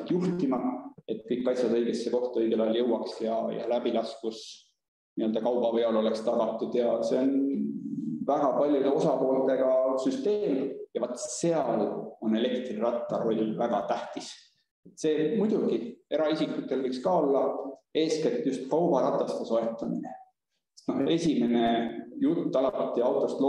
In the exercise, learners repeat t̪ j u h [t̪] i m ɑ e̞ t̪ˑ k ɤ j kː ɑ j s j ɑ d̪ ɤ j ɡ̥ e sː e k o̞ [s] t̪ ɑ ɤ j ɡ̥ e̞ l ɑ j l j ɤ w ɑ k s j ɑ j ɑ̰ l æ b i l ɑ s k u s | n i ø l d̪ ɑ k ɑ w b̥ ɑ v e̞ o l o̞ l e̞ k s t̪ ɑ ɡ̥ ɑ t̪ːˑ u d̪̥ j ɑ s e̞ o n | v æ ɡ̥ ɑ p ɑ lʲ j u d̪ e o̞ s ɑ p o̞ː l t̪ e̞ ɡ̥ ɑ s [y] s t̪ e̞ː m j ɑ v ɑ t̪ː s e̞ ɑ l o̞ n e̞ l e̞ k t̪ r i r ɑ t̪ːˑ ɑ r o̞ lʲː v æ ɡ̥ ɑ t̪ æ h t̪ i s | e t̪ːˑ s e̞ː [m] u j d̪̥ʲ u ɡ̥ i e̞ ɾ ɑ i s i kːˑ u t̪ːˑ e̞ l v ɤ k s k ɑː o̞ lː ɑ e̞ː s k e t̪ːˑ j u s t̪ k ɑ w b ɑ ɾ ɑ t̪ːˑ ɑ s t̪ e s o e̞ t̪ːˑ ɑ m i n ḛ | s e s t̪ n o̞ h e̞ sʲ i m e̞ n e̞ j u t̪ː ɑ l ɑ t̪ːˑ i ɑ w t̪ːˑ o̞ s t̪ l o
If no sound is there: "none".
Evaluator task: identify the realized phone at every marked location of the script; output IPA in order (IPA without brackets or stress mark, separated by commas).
t̪, h, y, m